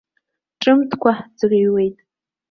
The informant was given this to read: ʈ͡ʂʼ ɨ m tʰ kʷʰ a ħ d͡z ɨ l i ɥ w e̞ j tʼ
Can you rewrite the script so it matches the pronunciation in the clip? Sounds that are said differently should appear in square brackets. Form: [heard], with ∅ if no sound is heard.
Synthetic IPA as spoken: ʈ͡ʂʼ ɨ m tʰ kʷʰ a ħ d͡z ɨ [r] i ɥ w e̞ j tʼ